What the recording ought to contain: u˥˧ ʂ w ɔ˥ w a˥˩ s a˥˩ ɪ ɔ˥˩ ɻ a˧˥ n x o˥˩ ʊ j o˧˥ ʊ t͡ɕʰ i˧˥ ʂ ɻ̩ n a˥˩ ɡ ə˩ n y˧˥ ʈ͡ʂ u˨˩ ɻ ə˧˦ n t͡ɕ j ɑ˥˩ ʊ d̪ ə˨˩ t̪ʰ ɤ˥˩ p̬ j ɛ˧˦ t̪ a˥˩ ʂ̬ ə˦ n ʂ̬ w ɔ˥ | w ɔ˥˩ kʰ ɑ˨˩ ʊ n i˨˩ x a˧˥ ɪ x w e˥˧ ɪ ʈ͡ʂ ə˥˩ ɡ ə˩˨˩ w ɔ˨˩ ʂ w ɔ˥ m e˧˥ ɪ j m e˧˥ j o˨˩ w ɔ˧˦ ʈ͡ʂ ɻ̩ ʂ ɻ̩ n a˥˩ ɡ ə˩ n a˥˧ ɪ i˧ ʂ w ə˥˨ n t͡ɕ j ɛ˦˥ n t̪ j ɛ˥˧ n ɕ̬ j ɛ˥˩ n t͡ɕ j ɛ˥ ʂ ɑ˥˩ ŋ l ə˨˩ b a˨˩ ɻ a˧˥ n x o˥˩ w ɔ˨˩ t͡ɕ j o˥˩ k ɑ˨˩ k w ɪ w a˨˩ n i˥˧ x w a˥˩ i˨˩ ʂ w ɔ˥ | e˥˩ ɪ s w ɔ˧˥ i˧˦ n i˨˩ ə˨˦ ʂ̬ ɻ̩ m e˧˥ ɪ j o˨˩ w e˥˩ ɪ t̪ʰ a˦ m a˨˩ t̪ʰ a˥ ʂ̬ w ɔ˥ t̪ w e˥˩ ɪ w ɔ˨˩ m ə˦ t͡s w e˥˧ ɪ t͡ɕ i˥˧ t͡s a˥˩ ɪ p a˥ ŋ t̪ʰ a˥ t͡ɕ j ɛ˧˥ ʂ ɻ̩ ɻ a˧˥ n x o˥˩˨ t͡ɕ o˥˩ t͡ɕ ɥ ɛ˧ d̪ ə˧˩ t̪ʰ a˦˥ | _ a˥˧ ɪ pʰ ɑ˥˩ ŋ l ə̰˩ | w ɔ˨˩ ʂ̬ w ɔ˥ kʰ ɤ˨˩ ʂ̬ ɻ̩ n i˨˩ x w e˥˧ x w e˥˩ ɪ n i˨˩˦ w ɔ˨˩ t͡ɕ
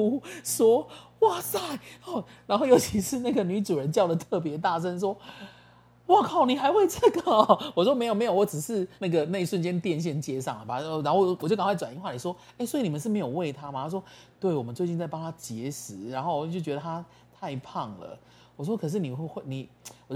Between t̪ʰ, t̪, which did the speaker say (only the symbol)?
t̪ʰ